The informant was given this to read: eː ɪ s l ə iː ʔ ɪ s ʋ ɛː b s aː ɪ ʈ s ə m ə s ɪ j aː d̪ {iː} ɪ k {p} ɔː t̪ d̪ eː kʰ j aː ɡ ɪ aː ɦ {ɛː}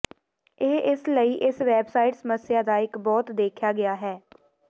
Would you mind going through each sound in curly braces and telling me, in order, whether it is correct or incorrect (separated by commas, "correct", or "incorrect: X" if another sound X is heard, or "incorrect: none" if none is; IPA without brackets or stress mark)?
incorrect: aː, incorrect: b, correct